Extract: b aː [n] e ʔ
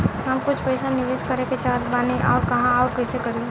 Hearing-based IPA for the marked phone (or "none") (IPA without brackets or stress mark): n